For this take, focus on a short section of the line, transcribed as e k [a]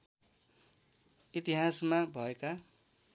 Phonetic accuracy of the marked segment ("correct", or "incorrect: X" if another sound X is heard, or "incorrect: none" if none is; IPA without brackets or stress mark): correct